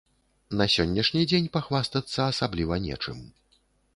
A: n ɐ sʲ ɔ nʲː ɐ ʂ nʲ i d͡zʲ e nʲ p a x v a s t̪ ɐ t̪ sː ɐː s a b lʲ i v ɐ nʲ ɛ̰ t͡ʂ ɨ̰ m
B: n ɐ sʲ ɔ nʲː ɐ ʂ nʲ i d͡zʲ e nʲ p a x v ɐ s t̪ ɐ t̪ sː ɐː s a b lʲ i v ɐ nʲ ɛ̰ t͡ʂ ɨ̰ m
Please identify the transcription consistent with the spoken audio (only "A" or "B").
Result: A